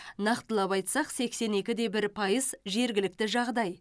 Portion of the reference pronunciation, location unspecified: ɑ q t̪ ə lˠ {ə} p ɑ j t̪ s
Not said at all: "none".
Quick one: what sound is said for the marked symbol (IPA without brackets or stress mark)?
ɑ